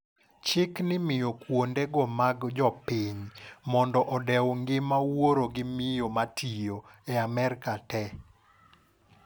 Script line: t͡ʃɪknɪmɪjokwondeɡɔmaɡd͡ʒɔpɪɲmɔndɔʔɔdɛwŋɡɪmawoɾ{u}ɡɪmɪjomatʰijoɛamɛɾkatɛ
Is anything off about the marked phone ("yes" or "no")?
yes